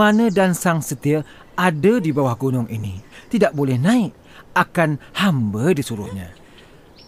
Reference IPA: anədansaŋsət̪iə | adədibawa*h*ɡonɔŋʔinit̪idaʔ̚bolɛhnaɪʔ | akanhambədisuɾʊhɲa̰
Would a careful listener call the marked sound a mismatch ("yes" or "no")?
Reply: no